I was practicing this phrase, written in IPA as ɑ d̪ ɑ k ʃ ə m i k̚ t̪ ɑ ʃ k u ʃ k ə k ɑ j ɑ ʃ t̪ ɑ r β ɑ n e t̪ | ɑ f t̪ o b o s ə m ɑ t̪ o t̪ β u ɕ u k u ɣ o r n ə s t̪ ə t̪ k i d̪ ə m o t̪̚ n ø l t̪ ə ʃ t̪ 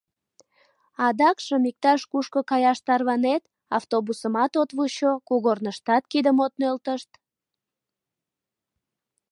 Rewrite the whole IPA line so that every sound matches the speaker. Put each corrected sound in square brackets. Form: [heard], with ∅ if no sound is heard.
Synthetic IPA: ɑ d̪ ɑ k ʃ ə m i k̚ t̪ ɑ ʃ k u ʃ k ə k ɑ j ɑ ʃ t̪ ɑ r β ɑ n e t̪ | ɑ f t̪ o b [u] s ə m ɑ t̪ o t̪ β u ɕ [o] k u ɣ o r n ə [ʃ] t̪ [ɑ] t̪ k i d̪ ə m o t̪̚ n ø l t̪ ə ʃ t̪